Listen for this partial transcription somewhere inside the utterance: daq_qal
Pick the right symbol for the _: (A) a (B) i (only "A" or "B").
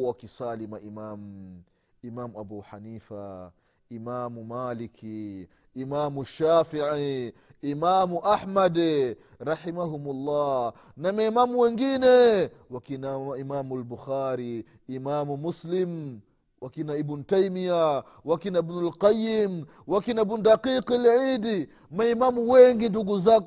B